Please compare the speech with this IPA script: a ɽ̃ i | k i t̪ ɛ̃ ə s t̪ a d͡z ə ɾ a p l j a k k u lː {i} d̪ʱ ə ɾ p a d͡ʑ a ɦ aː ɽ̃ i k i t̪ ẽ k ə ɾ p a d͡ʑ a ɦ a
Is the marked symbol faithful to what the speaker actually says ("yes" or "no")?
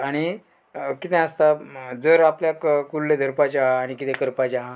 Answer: no